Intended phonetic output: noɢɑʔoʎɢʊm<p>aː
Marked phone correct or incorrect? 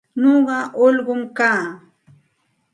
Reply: incorrect: k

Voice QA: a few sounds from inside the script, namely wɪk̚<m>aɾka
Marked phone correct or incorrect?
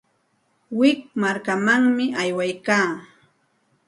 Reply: correct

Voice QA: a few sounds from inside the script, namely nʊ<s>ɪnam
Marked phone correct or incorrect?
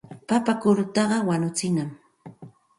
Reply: incorrect: t͡s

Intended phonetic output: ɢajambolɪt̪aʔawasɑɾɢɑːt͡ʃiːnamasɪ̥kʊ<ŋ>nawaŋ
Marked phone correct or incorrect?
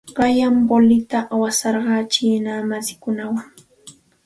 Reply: incorrect: none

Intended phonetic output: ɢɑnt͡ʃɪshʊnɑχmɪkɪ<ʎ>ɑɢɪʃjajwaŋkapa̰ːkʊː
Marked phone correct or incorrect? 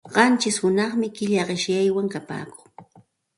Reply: correct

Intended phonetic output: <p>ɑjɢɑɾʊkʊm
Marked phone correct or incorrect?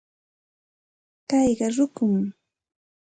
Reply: incorrect: k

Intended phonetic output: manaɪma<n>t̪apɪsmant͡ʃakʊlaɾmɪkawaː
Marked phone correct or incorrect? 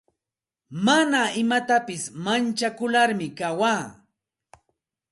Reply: incorrect: none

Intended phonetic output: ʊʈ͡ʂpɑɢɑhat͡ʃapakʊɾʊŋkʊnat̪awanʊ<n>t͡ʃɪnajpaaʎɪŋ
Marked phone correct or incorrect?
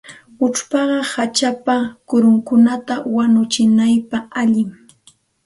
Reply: incorrect: none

